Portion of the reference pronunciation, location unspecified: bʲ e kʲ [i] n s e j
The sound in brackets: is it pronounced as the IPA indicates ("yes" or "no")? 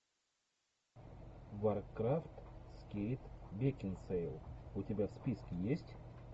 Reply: no